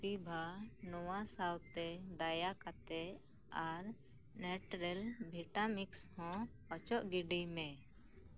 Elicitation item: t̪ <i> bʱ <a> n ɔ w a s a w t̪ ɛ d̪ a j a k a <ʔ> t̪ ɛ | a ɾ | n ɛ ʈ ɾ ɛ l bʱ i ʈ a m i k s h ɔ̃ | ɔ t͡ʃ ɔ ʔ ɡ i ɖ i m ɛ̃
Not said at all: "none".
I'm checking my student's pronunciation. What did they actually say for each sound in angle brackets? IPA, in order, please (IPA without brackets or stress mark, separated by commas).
i, a, none